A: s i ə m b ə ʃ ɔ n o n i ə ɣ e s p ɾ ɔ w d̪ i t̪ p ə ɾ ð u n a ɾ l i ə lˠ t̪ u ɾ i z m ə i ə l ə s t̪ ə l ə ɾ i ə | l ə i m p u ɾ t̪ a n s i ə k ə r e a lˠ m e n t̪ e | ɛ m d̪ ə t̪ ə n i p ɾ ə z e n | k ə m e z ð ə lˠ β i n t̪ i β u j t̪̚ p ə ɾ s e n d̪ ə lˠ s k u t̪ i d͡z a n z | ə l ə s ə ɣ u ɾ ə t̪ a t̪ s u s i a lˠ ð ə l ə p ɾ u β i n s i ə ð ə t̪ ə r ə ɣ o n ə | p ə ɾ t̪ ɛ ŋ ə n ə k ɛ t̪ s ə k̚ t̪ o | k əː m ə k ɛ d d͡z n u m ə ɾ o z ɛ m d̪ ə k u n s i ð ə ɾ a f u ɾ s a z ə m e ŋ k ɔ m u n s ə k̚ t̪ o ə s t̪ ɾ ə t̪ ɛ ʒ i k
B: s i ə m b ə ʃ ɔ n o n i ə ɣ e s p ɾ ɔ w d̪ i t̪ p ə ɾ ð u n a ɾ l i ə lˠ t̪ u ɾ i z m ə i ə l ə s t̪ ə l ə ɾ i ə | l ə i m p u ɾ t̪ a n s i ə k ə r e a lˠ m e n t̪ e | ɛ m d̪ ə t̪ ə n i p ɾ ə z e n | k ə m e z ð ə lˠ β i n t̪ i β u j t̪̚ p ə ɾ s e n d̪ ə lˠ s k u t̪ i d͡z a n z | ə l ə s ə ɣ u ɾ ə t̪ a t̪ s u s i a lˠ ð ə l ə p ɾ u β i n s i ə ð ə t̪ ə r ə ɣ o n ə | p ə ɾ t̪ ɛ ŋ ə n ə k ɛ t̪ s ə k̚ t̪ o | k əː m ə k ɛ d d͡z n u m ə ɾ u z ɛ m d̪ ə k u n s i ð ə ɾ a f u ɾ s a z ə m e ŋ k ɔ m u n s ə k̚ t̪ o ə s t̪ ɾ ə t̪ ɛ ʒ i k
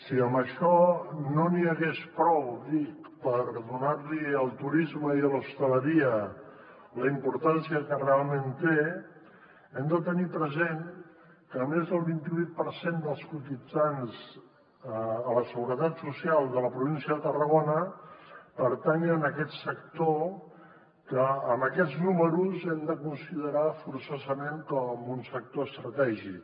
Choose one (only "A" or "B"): B